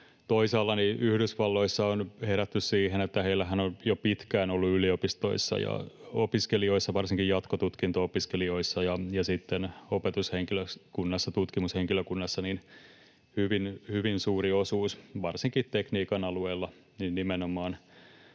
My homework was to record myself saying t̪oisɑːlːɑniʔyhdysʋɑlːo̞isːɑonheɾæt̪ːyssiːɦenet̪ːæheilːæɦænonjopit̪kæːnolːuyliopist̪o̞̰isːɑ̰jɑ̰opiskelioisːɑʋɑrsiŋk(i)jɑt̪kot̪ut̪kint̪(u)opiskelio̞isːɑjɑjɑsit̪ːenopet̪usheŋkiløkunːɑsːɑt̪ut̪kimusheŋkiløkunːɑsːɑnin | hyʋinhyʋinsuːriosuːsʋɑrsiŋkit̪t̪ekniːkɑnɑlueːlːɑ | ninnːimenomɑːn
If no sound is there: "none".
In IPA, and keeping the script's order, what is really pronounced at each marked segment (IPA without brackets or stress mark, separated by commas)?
i, o